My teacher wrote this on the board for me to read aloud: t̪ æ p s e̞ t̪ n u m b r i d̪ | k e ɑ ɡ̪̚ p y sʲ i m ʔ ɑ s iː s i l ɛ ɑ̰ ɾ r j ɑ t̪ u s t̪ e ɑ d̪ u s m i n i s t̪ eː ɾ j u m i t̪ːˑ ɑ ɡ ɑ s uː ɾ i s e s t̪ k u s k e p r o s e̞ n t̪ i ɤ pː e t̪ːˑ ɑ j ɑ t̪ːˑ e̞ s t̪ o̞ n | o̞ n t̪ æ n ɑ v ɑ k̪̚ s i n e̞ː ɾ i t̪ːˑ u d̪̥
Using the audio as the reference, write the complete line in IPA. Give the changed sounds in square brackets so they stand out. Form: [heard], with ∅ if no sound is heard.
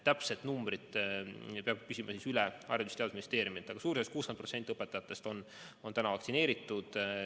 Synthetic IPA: t̪ æ p s e̞ t̪ n u m b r i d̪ | [p] e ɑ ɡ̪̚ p y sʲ i m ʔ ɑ s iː s [y] l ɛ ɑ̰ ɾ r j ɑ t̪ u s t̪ e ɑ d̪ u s m i n i s t̪ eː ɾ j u m i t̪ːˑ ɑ ɡ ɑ s uː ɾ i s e s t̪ k [uː] s k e p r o s e̞ n t̪ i ɤ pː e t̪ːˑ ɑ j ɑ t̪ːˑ e̞ s t̪ o̞ n | o̞ n t̪ æ n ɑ v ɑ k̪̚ s i n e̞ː ɾ i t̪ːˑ u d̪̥